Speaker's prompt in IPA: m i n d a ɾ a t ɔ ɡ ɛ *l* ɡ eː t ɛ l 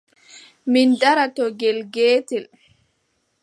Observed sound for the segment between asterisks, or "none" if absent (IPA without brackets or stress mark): l